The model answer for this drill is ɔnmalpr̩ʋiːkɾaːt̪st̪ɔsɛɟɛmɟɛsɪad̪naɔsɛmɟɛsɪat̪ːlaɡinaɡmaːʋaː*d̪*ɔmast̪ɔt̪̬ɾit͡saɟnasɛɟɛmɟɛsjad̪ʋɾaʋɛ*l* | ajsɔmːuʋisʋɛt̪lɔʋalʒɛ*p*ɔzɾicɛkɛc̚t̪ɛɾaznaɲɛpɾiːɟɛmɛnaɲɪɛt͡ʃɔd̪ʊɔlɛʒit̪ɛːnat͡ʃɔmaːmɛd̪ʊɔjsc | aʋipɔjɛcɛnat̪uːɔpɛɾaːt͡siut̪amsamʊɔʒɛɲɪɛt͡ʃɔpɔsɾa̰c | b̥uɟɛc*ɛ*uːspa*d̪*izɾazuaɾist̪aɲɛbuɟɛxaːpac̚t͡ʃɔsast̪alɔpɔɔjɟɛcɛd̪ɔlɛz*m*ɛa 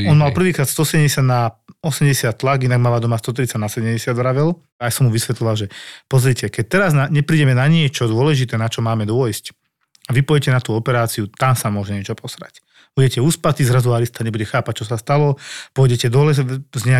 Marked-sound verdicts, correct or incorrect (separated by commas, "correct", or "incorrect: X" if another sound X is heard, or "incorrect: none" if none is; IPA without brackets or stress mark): correct, correct, correct, correct, incorrect: t̪, incorrect: ɲ